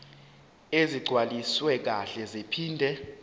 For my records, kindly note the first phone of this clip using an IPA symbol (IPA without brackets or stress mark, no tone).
e